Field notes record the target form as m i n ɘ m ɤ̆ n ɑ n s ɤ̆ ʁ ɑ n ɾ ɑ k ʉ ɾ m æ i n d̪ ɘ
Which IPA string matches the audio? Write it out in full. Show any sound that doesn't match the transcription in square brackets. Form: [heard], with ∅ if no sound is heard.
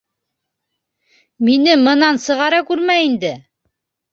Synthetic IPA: m i n ɘ m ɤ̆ n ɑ n s ɤ̆ ʁ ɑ [∅] ɾ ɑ k ʉ ɾ m æ i n d̪ ɘ

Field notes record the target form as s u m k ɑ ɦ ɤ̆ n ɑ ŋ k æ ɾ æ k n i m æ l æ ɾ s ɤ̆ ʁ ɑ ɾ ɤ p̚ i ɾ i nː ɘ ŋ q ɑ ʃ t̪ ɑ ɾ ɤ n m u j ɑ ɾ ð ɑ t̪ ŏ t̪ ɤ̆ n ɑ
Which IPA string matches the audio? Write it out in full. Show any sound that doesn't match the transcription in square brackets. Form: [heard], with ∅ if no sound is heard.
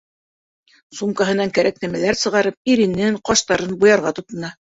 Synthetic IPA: s u m k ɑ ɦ ɤ̆ n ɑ ŋ k æ ɾ æ k n [æ] m æ l æ ɾ s ɤ̆ ʁ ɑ ɾ ɤ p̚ i ɾ i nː ɘ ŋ q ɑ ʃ t̪ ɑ ɾ ɤ n [b] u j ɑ ɾ [ʁ] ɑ t̪ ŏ t̪ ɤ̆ n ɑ

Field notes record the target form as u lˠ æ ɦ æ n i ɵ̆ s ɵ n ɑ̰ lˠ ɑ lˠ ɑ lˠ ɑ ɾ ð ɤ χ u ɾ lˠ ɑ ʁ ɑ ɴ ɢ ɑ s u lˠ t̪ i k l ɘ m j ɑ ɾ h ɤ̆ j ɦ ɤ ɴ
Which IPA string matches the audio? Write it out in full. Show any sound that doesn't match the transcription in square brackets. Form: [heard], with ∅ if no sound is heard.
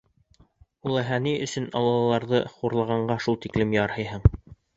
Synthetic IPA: u lˠ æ ɦ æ n i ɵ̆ s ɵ n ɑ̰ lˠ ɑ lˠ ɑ lˠ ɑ ɾ ð ɤ χ u ɾ lˠ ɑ ʁ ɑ ɴ ɢ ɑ [ʃ] u lˠ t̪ i k l ɘ m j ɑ ɾ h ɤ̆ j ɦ ɤ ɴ

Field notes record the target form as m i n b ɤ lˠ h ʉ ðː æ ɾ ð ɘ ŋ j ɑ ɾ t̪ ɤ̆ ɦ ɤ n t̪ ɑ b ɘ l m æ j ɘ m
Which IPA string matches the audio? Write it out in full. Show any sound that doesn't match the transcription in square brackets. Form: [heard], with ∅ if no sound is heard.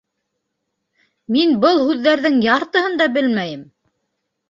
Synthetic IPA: m i n b ɤ lˠ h ʉ ðː æ ɾ ð ɘ ŋ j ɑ ɾ t̪ ɤ̆ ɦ ɤ n [d̪] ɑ b ɘ l m æ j ɘ m

